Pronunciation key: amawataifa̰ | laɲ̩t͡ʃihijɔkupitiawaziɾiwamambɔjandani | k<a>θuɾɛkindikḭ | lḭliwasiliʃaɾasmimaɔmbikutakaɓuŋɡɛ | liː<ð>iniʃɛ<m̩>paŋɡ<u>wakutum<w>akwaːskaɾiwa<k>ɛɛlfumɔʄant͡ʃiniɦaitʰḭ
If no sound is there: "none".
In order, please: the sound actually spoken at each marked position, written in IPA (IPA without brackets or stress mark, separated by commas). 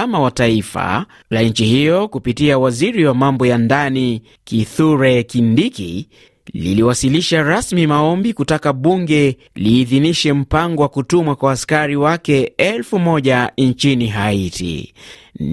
i, ð, m̩, ɔ, w, k